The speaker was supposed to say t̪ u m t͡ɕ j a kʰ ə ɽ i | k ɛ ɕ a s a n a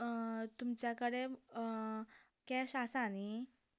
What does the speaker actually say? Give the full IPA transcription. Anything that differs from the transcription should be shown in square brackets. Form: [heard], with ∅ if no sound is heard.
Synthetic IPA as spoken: t̪ u m t͡ɕ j a [k] ə ɽ [e] | k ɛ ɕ a s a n [i]